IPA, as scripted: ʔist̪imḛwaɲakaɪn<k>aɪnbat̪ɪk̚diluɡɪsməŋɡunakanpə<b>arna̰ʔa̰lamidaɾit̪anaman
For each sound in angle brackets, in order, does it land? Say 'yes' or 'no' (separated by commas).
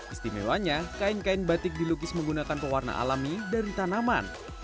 yes, no